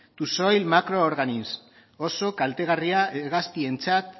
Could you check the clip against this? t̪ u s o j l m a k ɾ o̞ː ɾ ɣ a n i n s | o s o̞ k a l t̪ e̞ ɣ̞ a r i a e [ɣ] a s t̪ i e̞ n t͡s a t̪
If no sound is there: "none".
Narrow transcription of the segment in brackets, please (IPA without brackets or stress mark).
ɣ